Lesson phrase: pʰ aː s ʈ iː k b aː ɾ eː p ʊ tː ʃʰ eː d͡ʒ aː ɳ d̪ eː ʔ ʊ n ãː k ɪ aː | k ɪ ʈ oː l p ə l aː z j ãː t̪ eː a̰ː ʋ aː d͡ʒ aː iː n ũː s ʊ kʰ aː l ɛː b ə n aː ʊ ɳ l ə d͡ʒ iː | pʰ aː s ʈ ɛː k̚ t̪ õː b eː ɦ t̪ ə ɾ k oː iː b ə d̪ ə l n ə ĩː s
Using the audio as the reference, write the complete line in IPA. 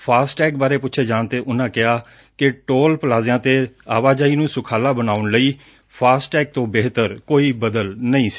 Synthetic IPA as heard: pʰ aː s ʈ ɛː k b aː ɾ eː p ʊ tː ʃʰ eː d͡ʒ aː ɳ t̪ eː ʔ ʊ n ãː k ɪ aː | k ɪ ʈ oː l p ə l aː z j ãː t̪ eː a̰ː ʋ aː d͡ʒ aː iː n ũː s ʊ kʰ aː l aː b ə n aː ʊ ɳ l ə iː | pʰ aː s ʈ ɛː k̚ t̪ õː b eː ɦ t̪ ə ɾ k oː iː b ə d̪ ə l n ə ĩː s